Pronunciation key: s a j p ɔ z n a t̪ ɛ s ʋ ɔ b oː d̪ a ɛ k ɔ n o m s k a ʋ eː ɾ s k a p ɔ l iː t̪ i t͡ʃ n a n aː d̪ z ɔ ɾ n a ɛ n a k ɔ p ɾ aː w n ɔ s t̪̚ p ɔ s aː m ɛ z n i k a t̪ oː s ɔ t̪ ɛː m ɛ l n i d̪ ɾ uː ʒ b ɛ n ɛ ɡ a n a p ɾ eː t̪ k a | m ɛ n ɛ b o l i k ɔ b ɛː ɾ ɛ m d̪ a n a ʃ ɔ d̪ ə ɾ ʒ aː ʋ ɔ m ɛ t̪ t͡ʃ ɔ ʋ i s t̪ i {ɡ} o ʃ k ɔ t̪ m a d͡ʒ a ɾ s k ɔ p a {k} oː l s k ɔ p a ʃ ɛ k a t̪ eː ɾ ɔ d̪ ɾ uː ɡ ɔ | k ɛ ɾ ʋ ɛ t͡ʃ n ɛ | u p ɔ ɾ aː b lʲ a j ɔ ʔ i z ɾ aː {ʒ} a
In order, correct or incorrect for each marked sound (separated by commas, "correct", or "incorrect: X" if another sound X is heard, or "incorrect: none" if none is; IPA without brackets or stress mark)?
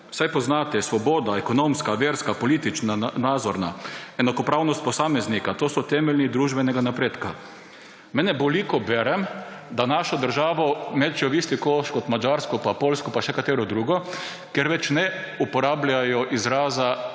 incorrect: k, incorrect: p, incorrect: z